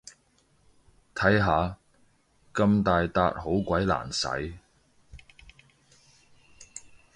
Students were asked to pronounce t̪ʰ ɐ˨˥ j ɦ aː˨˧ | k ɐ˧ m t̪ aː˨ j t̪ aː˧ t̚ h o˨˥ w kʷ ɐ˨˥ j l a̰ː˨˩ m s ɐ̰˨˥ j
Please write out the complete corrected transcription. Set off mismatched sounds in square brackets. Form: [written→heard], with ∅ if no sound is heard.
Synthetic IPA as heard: t̪ʰ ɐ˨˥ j ɦ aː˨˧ | k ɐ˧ m t̪ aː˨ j t̪ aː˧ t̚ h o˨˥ w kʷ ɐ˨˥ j l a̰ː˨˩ [m→n] s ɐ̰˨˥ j